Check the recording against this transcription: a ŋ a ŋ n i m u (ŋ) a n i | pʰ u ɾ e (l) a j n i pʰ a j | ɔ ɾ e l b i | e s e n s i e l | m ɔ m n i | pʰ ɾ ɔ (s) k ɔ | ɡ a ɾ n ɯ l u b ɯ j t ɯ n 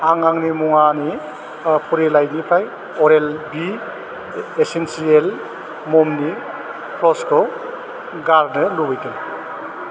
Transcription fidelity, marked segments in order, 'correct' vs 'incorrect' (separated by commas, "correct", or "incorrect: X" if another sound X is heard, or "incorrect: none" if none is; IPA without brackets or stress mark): correct, correct, correct